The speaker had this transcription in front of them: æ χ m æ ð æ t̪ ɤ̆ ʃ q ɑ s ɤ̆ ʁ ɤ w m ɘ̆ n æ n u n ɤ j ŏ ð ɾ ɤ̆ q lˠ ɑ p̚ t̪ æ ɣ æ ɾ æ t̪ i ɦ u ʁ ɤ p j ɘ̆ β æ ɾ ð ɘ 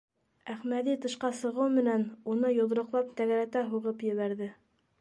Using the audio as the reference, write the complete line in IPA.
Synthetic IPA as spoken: æ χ m æ ð i t̪ ɤ̆ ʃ q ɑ s ɤ̆ ʁ ɤ w m ɘ̆ n æ n u n ɤ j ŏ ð ɾ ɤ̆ q lˠ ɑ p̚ t̪ æ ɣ æ ɾ æ t̪ æ ɦ u ʁ ɤ p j ɘ̆ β æ ɾ ð ɘ